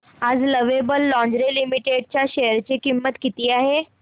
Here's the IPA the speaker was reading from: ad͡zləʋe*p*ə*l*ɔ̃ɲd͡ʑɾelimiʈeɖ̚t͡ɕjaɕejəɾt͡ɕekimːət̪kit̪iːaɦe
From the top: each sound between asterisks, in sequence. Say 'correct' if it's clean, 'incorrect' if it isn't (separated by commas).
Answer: incorrect, incorrect